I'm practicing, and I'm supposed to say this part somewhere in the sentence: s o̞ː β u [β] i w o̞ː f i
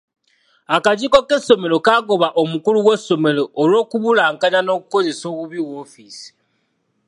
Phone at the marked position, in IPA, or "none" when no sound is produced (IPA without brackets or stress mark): β